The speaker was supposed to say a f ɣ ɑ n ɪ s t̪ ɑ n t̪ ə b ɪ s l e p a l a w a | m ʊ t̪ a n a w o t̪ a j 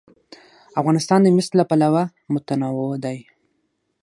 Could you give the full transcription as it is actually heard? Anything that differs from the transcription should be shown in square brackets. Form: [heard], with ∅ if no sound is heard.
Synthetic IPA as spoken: a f ɣ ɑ n ɪ s t̪ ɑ n [d̪] ə [m] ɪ s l [a] p a l a w a | m ʊ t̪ a n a w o [d̪] a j

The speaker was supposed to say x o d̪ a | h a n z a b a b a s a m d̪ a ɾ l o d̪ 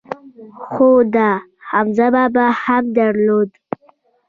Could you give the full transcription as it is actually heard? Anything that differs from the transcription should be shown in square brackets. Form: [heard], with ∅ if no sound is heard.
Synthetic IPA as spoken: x o d̪ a | h a [m] z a b a b a [h] a m d̪ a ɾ l o d̪

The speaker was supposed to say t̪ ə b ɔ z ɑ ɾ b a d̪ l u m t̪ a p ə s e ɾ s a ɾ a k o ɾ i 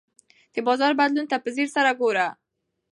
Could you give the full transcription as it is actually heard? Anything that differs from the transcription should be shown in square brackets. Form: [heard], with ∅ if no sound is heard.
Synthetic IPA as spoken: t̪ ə b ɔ z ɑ ɾ b a d̪ l u [n] t̪ a p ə [z] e ɾ s a ɾ a [ɡ] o ɾ [a]

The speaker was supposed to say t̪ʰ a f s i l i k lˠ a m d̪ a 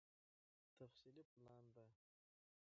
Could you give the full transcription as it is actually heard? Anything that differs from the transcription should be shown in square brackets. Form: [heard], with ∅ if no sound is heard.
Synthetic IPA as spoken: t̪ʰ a f s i l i [p] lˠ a [n] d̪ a

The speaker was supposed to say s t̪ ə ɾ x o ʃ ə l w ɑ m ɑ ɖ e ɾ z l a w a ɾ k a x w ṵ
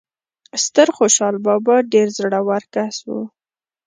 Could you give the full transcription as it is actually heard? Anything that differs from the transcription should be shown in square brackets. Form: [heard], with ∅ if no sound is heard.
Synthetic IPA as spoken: s t̪ ə ɾ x o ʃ [ɑ] l [b] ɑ [b] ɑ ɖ e ɾ z [ɽ] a w a ɾ k a [s] w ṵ

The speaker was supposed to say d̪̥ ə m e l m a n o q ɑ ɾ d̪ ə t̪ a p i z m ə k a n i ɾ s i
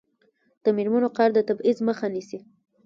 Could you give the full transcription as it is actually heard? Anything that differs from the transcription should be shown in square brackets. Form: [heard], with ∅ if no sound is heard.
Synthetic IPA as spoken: d̪̥ ə m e [ɾ] m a n o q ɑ ɾ d̪ ə t̪ a [b] i z m ə [x] a n i [∅] s i

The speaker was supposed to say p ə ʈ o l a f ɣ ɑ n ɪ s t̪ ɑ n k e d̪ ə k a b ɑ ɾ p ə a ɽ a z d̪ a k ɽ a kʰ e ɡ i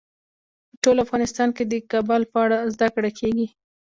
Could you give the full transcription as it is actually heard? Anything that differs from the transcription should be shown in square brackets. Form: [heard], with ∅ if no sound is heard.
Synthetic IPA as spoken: p ə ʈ o l a f ɣ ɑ n ɪ s t̪ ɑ n k e d̪ ə k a b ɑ [l] p ə a ɽ a z d̪ a k ɽ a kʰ e ɡ i

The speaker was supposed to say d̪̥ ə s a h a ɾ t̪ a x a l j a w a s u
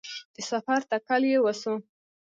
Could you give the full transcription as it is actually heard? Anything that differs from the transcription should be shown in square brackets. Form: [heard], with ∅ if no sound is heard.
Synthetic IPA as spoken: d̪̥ ə s a [f] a ɾ t̪ a [k] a l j [e] w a s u

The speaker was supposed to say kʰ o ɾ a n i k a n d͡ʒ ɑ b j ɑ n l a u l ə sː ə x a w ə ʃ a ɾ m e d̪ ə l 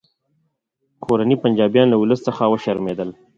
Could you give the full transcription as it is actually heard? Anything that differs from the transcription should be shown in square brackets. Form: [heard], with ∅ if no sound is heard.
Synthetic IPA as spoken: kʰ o ɾ a n i [p] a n d͡ʒ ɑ b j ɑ n l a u l ə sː ə x a w ə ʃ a ɾ m e d̪ ə l

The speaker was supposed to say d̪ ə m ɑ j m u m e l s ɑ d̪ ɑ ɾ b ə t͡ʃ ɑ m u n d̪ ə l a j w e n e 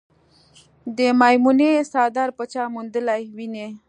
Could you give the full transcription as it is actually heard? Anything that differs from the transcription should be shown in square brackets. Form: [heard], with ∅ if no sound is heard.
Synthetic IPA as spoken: d̪ ə m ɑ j m u [n] e [∅] s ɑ d̪ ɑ ɾ [p] ə t͡ʃ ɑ m u n d̪ ə l a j w [i] n e

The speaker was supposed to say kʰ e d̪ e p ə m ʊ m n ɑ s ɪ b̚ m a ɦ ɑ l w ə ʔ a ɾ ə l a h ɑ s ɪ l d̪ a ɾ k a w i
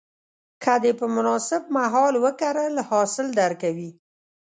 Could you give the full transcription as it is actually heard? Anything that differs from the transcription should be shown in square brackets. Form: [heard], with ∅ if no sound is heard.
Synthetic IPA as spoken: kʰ [a] d̪ e p ə m ʊ [∅] n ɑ s ɪ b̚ m a ɦ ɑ l w ə [k] a ɾ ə l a h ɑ s ɪ l d̪ a ɾ k a w i

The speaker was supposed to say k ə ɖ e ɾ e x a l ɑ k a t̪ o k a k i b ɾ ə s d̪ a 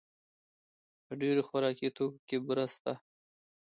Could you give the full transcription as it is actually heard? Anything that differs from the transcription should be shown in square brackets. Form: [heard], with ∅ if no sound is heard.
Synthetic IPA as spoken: [p] ə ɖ e ɾ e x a [ɾ] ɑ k [i] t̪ o k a k [e] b ɾ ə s [t̪] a

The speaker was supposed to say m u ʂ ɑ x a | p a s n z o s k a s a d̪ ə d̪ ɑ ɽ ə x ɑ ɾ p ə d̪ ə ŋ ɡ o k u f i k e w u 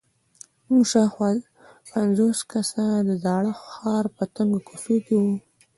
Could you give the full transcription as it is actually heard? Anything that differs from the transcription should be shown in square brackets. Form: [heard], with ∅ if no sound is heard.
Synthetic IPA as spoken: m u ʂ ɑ x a | p a [∅] n z o s k a s a d̪ ə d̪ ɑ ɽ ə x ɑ ɾ p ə [t̪] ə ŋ ɡ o k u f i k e w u

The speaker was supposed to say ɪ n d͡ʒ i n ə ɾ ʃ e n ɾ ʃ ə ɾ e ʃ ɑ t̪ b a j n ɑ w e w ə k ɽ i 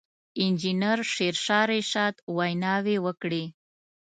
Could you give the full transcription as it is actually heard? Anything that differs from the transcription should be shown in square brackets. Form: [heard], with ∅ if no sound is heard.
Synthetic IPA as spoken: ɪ n d͡ʒ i n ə ɾ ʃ e [∅] ɾ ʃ [ɑ] ɾ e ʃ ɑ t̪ [w] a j n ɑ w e w ə k ɽ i

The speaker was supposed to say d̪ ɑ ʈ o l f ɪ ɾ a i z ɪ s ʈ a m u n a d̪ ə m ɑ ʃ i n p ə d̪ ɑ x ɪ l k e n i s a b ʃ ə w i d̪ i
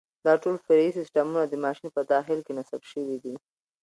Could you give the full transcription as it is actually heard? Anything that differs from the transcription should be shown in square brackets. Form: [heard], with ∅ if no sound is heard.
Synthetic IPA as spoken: d̪ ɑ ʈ o l f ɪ ɾ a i [s] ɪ s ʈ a m u n a d̪ ə m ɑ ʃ i n p ə d̪ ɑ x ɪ l k e n [a] s a b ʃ ə w i d̪ i

